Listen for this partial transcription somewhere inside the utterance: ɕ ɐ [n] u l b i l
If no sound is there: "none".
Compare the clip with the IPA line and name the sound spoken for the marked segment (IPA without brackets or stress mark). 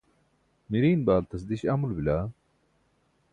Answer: m